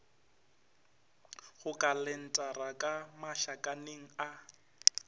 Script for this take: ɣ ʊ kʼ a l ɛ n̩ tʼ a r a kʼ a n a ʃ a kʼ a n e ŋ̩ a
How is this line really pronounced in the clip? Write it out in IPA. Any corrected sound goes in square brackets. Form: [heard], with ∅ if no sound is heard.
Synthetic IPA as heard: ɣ ʊ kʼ a l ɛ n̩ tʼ a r a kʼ a [m] a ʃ a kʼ a n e ŋ̩ a